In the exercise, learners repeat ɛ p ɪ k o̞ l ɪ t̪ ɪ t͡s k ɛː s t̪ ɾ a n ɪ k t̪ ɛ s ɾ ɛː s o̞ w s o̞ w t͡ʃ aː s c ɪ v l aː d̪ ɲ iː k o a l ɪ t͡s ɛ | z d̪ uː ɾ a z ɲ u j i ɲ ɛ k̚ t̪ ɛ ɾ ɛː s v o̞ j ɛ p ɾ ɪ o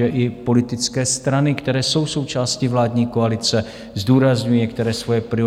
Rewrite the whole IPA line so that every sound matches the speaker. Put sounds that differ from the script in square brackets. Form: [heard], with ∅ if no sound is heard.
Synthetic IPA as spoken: ɛ [ʔ] ɪ [p] o̞ l ɪ t̪ ɪ t͡s k ɛː s t̪ ɾ a n ɪ k t̪ ɛ [∅] ɾ ɛː s o̞ w s o̞ w t͡ʃ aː s c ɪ v l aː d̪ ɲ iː k o a l ɪ t͡s ɛ | z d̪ uː ɾ a z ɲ u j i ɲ ɛ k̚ t̪ ɛ ɾ ɛː s v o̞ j ɛ p ɾ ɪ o